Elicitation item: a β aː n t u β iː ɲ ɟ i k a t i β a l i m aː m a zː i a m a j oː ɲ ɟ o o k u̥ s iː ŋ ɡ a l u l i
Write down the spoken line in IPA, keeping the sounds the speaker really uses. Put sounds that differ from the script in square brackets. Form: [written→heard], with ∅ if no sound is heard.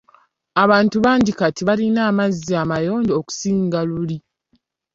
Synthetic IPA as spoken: a β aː n t u β [iː→aː] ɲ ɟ i k a t i β a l i [m→n] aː m a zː i a m a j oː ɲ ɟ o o k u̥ s iː ŋ ɡ a l u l i